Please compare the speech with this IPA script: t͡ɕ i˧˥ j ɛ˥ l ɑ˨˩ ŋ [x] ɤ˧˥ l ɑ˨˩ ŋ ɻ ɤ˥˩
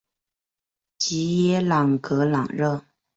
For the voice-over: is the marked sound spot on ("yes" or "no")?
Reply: no